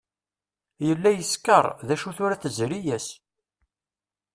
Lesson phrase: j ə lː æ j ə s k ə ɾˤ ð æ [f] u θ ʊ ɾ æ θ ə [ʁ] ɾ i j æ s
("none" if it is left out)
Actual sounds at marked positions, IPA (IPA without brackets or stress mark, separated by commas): ʃ, z